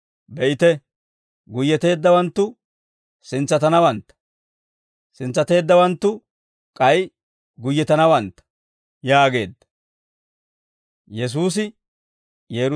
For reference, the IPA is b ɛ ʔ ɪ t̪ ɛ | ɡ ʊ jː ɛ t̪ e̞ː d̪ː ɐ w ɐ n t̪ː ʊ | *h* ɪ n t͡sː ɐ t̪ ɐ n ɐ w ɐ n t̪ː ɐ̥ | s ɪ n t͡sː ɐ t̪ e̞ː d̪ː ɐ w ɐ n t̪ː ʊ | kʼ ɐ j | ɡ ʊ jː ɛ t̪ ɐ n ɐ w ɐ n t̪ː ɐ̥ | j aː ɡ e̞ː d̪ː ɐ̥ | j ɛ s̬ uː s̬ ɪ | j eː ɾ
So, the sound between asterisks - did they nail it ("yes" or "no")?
no